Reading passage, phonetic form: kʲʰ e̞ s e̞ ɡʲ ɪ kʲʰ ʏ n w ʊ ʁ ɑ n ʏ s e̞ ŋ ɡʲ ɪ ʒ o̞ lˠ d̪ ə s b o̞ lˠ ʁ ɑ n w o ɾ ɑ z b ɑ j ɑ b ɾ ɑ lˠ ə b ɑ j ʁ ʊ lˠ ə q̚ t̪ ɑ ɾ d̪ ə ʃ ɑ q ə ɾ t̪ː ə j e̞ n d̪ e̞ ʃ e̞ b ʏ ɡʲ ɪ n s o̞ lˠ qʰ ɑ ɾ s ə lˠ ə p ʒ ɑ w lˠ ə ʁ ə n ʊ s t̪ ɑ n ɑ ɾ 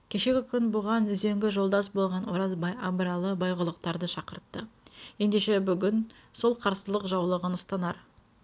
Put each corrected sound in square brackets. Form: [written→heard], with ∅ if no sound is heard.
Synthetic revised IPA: kʲʰ e̞ [s→ʃ] e̞ ɡʲ ɪ kʲʰ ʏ n [w→b] ʊ ʁ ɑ n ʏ [s→z] e̞ ŋ ɡʲ ɪ ʒ o̞ lˠ d̪ [ə→ɑ] s b o̞ lˠ ʁ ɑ n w o ɾ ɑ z b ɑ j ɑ b ɾ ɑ lˠ ə b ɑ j ʁ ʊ lˠ ə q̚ t̪ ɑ ɾ d̪ ə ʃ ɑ q ə ɾ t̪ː ə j e̞ n d̪ e̞ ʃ e̞ b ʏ ɡʲ ɪ n s o̞ lˠ qʰ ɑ ɾ s ə lˠ ə [p→q] ʒ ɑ w lˠ ə ʁ ə n ʊ s t̪ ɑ n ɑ ɾ